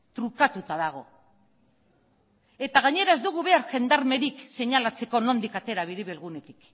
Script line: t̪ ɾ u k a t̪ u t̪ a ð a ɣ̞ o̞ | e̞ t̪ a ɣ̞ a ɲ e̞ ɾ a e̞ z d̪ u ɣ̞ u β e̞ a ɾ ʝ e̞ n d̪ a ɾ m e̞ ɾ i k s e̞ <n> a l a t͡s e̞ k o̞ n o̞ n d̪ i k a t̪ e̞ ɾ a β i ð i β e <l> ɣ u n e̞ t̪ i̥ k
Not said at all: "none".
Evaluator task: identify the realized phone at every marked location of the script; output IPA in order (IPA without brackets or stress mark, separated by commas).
ɲ, l